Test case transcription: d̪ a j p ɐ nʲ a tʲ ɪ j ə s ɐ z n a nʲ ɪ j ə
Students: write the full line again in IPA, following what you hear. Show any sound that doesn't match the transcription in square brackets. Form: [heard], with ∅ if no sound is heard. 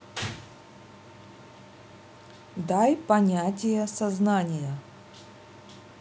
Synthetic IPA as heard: d̪ a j p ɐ nʲ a tʲ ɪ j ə s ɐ z n a nʲ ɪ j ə